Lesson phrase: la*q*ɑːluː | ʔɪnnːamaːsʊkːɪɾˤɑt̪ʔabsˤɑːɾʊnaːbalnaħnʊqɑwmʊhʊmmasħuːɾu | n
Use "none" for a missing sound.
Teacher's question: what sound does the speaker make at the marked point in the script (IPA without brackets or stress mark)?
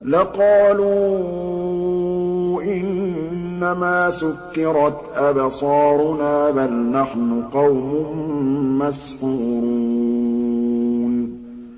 q